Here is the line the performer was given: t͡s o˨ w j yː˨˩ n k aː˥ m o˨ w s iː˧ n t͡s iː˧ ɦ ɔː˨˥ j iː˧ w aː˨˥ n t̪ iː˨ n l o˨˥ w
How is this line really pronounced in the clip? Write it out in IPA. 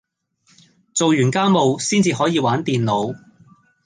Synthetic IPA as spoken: t͡s o˨ w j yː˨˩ n k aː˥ m o˨ w s iː˥ n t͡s iː˧ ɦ ɔː˨˥ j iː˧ w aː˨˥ n t̪ iː˨ n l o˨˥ w